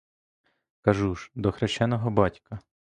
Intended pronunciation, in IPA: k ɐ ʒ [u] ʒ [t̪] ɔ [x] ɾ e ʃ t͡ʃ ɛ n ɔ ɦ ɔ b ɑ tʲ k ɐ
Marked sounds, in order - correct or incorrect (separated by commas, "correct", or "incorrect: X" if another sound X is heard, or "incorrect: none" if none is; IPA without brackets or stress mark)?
correct, incorrect: d̪, correct